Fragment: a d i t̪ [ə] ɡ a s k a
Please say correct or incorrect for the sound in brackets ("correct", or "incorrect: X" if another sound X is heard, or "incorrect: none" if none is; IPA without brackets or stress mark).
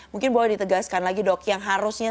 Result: correct